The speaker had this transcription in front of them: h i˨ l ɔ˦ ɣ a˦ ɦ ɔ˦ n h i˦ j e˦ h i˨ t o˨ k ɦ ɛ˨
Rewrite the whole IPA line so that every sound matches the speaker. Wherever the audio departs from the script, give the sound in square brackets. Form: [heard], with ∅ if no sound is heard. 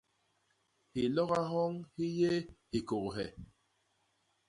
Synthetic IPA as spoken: h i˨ l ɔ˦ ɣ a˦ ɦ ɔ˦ [ŋ] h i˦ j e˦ h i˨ [k] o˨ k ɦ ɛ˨